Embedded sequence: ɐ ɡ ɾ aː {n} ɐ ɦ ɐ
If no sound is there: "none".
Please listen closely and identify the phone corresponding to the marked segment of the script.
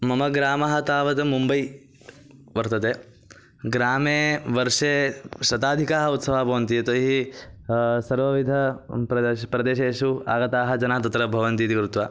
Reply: m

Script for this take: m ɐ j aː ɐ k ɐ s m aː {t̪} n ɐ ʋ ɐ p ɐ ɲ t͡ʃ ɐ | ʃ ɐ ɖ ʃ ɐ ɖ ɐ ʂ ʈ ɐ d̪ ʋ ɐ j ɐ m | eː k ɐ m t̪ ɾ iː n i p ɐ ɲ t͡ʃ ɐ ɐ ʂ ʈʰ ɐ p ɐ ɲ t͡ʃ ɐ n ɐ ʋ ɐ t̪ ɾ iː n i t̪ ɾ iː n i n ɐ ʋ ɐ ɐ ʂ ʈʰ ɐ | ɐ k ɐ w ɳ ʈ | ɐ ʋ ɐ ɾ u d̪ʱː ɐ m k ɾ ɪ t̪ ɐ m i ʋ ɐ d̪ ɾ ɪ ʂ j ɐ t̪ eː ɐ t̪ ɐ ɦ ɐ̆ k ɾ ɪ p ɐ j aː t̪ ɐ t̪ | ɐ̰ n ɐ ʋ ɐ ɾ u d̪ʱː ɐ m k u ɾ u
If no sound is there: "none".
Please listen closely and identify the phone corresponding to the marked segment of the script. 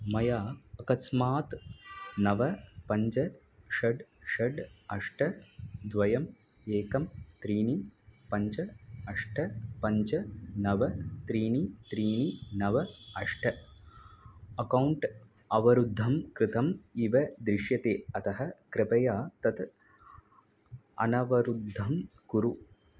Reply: t̪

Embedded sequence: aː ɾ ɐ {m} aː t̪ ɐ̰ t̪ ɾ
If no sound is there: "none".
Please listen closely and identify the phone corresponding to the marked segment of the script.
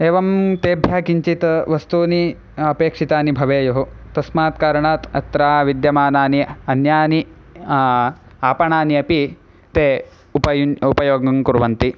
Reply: ɳ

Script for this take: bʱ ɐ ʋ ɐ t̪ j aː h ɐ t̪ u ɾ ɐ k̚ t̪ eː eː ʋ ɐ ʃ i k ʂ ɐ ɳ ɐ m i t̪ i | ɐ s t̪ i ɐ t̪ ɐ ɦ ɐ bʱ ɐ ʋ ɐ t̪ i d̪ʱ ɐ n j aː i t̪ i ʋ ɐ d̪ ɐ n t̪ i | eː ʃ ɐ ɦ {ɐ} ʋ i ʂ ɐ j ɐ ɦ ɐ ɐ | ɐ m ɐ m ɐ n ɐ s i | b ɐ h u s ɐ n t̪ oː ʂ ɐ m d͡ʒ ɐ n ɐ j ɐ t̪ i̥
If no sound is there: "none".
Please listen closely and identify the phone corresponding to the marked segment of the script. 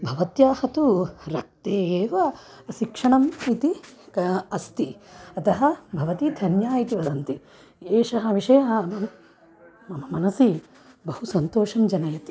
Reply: ɐ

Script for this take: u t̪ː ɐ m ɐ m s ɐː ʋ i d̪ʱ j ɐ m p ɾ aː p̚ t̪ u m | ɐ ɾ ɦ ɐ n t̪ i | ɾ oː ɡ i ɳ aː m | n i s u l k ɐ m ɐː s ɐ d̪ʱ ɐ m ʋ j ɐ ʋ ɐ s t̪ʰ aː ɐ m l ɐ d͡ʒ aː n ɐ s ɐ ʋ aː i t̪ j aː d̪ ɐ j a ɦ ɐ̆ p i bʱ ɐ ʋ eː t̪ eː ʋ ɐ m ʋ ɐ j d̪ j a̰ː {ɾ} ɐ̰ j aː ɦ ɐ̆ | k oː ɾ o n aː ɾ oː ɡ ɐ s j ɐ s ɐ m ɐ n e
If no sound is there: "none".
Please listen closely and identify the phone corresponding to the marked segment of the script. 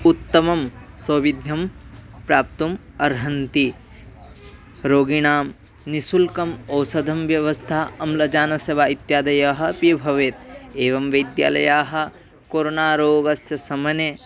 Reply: l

